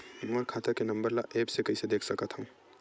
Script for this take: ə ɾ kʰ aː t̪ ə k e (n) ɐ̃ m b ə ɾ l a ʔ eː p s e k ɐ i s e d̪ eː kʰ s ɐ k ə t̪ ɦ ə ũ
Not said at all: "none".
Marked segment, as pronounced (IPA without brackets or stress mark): n